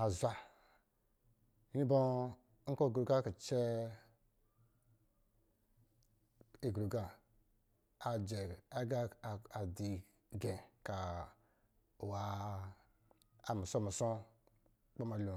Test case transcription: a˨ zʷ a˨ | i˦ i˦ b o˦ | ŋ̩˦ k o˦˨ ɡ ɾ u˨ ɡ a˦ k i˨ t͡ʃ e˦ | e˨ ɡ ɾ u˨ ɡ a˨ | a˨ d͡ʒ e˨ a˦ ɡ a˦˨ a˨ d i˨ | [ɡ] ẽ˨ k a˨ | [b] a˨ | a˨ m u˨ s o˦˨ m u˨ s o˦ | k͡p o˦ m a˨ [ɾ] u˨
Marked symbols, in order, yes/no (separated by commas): yes, no, no